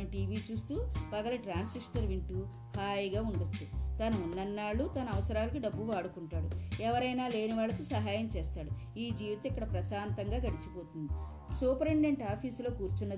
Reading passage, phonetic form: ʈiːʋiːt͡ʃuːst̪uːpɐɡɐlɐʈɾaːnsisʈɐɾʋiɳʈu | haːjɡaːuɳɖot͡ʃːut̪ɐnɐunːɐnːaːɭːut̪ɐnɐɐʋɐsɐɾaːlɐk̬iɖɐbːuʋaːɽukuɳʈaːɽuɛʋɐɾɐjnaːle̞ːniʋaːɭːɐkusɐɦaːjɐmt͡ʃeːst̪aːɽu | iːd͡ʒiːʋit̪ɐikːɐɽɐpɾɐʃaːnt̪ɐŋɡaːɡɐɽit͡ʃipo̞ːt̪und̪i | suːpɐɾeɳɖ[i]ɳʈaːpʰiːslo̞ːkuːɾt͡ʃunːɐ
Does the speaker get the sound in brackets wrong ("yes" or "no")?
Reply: yes